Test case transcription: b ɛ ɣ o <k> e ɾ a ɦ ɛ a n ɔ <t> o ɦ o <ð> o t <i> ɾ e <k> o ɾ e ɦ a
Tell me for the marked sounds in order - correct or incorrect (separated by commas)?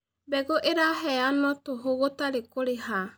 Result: incorrect, correct, incorrect, incorrect, correct